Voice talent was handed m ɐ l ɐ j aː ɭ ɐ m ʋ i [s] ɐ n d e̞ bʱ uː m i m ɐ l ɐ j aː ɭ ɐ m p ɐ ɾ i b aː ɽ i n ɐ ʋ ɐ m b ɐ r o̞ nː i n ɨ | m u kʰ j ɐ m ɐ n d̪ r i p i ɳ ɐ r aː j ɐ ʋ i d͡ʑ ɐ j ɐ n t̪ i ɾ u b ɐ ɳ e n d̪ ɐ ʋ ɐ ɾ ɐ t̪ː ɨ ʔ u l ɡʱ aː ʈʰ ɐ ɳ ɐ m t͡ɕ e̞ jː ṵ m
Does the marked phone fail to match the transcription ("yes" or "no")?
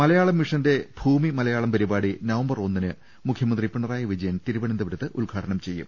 yes